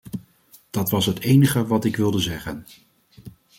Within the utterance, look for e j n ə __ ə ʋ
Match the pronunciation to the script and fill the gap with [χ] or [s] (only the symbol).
χ